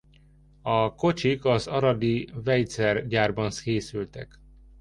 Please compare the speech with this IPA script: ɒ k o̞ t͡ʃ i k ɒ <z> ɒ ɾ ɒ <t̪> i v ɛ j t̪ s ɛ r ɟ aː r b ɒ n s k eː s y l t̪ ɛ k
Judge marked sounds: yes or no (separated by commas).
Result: yes, no